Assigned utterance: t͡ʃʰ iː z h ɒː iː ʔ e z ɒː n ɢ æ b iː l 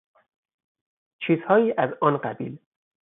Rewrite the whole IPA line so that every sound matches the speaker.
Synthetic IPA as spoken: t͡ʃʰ iː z h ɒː iː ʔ æ z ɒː n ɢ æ b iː l